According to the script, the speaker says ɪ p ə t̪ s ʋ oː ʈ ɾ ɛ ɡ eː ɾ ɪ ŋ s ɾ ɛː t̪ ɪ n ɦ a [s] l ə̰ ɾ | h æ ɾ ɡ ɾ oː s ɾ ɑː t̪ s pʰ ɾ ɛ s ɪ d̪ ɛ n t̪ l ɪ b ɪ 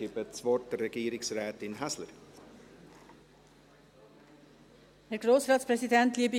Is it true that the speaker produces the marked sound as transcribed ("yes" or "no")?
yes